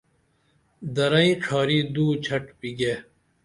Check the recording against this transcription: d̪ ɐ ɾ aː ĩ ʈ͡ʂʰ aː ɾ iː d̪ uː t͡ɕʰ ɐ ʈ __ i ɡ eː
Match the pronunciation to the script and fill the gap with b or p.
p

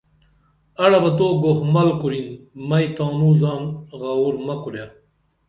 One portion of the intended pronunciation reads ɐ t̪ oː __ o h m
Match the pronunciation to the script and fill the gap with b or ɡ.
ɡ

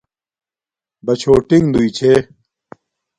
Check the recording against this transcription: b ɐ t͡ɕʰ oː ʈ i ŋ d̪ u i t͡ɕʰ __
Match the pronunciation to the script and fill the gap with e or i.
e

